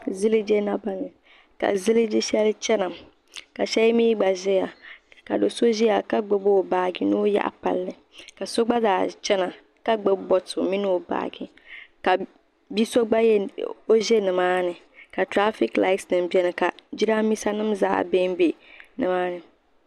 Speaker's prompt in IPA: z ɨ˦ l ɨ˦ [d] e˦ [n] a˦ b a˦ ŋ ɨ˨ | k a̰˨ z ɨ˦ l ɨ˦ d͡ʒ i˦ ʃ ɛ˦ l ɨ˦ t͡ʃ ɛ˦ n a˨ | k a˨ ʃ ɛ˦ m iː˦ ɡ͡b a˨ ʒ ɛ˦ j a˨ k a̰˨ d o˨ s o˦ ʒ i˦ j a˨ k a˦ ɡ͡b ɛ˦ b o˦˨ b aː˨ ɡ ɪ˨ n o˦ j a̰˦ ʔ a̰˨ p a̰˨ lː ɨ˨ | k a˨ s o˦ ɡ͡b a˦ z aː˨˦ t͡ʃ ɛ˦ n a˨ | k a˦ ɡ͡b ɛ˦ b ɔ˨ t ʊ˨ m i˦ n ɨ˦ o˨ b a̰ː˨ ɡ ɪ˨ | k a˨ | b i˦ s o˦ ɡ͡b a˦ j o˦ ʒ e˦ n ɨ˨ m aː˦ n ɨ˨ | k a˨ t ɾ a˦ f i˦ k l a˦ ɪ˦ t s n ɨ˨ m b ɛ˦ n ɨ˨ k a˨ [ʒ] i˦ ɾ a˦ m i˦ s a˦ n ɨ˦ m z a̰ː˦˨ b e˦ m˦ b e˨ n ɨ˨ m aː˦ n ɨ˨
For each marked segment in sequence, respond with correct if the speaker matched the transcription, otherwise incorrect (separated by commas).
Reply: incorrect, correct, incorrect